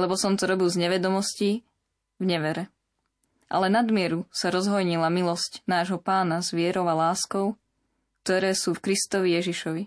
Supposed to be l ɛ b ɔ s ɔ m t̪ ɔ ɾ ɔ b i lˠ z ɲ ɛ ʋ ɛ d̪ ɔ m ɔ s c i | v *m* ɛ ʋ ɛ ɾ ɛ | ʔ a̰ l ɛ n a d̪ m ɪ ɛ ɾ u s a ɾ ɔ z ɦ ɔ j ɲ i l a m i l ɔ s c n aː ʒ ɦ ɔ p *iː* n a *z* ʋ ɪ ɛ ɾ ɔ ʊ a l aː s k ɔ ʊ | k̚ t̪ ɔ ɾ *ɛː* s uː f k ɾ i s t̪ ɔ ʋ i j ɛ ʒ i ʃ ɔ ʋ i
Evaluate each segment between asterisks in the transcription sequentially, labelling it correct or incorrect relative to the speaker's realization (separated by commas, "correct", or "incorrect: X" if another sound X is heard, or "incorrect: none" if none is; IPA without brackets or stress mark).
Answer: incorrect: ɲ, incorrect: aː, correct, correct